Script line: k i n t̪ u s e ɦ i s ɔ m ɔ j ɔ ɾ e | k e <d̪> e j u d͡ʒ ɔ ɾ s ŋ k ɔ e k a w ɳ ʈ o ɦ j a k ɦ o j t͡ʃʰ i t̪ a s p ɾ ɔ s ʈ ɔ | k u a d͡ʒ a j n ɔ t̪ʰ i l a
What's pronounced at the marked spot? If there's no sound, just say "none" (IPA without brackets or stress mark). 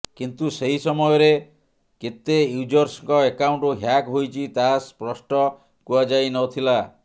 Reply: t̪